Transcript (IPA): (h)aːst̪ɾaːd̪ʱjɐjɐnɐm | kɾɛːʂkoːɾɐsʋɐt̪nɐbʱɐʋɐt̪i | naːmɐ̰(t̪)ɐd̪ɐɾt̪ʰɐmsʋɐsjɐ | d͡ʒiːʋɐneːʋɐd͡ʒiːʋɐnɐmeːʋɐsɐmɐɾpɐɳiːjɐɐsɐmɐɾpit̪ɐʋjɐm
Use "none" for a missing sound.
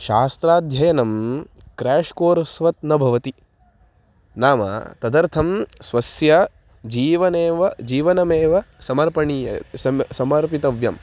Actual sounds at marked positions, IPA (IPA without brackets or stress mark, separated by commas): ʃ, t̪